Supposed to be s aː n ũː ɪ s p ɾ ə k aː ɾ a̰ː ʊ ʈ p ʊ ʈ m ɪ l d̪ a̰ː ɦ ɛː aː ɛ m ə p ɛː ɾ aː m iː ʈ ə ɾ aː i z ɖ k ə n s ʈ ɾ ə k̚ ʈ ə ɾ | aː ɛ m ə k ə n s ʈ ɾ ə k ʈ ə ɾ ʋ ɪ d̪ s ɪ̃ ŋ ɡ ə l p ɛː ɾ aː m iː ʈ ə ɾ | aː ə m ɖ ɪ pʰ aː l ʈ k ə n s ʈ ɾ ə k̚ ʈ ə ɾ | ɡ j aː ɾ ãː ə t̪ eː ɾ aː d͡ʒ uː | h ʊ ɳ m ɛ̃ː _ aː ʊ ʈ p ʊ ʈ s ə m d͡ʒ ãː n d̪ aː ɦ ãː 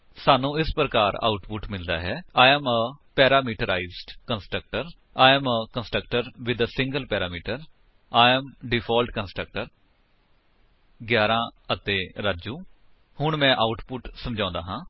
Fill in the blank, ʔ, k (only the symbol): ʔ